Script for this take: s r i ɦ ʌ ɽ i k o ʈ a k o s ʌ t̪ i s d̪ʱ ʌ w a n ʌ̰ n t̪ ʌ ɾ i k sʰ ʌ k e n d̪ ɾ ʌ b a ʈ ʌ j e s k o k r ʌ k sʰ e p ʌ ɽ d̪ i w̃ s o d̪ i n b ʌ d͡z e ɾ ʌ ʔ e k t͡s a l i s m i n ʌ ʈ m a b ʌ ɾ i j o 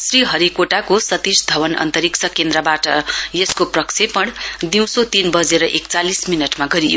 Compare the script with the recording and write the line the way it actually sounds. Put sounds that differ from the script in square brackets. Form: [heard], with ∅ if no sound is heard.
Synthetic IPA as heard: s r i ɦ ʌ [ɾ] i k o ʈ a k o s ʌ t̪ i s d̪ʱ ʌ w [ʌ] n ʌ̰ n t̪ ʌ ɾ i k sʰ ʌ k e n d̪ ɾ ʌ b a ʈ ʌ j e s k o [p] r ʌ k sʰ e p ʌ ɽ d̪ i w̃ s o [t̪] i n b ʌ d͡z e ɾ ʌ ʔ e k t͡s a l i s m i n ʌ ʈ m a [ɡ] ʌ ɾ i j o